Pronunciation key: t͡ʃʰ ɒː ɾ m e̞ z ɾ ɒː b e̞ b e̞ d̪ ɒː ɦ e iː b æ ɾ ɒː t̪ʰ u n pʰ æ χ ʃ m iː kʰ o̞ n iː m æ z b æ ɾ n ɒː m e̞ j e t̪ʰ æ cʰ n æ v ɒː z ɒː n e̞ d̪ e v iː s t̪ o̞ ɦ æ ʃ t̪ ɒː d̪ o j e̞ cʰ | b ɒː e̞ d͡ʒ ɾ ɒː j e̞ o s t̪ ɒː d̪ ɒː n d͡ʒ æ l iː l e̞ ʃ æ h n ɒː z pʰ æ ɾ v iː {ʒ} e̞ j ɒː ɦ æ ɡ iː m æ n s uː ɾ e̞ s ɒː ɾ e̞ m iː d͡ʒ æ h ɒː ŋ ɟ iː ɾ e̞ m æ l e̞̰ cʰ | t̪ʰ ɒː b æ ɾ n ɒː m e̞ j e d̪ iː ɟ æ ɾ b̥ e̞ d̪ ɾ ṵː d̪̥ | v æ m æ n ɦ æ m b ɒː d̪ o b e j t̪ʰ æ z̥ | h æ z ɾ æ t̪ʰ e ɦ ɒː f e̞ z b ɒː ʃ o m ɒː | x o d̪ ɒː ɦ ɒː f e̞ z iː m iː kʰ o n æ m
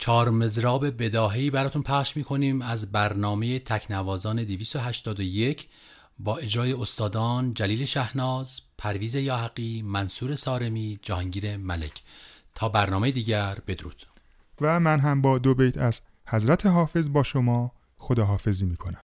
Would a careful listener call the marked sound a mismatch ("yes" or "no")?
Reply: yes